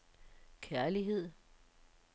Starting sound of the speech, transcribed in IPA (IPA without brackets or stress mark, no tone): kʰ